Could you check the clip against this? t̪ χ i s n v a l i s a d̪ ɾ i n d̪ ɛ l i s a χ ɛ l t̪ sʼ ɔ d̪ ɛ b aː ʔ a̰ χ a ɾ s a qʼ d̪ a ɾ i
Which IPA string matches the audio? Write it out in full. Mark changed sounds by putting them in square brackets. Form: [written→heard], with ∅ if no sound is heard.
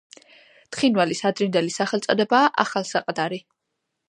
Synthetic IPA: t̪ χ i [s→∅] n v a l i s a d̪ ɾ i n d̪ ɛ l i s a χ ɛ l t̪ sʼ ɔ d̪ ɛ b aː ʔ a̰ χ a [ɾ→l] s a qʼ d̪ a ɾ i